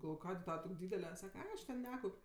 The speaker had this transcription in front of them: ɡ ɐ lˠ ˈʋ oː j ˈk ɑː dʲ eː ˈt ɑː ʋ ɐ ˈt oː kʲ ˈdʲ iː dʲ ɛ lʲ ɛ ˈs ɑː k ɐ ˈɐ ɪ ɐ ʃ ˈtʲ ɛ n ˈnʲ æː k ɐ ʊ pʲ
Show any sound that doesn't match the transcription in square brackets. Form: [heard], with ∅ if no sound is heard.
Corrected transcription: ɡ ɐ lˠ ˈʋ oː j ˈk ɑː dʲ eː ˈt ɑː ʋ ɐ ˈt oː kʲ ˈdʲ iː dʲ ɛ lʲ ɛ ˈs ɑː k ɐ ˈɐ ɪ ɐ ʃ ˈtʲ ɛ n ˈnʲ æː k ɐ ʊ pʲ

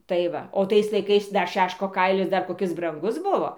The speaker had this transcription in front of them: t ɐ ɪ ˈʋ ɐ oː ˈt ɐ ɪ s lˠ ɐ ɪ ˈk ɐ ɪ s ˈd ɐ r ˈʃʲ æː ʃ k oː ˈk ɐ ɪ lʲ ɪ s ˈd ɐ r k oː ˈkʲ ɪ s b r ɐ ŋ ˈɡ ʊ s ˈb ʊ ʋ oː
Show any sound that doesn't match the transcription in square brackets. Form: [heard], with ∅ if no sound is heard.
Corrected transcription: t ɐ ɪ ˈʋ ɐ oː ˈt ɐ ɪ s lˠ ɐ ɪ ˈk ɐ ɪ s ˈd ɐ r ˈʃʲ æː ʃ k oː ˈk ɐ ɪ lʲ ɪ s ˈd ɐ r k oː ˈkʲ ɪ s b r ɐ ŋ ˈɡ ʊ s ˈb ʊ ʋ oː

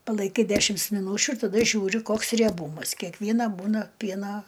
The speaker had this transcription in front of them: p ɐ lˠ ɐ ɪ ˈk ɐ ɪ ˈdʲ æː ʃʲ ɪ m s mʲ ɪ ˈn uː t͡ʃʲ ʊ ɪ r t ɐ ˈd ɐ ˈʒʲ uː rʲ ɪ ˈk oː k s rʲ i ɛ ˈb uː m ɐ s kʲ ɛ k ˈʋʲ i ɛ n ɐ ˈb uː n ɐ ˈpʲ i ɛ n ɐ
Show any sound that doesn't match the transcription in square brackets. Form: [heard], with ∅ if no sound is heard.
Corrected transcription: p ɐ lˠ ɐ ɪ ˈk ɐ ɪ ˈdʲ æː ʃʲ ɪ m s mʲ ɪ ˈn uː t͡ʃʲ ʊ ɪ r t ɐ ˈd ɐ ˈʒʲ uː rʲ ɪ ˈk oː k s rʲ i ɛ ˈb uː m ɐ s kʲ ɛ k ˈʋʲ i ɛ n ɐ ˈb uː n ɐ ˈpʲ i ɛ n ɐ

